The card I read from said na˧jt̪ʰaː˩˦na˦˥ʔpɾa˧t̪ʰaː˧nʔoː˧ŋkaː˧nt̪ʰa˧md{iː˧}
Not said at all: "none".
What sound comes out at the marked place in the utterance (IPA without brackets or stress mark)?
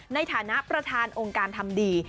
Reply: iː˧